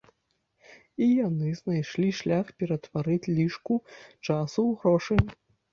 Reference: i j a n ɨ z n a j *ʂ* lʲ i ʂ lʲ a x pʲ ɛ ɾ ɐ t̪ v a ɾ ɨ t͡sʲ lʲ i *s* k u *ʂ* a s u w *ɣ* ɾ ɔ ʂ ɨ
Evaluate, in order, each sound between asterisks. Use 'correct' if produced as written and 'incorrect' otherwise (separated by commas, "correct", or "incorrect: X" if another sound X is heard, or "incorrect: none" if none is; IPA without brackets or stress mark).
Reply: correct, incorrect: ʂ, incorrect: t͡ʂ, correct